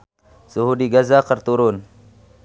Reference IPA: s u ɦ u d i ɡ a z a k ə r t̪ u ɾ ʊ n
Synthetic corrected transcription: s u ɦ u d i ɡ a z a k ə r t̪ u ɾ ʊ n